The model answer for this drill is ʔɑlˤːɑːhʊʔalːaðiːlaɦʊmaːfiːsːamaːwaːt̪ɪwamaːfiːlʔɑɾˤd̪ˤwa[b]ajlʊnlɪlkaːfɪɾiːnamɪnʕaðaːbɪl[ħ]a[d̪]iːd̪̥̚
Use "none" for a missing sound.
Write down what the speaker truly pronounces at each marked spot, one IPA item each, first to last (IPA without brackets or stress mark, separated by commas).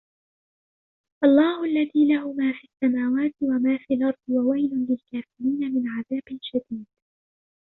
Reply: w, ʃ, d̪